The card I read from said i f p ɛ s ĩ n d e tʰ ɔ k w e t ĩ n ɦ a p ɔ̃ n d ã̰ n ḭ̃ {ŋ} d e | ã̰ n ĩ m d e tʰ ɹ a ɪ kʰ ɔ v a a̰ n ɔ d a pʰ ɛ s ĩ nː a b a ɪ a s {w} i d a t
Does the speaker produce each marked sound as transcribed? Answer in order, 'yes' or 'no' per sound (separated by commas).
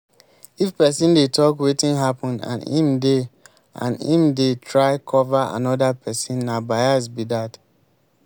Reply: no, no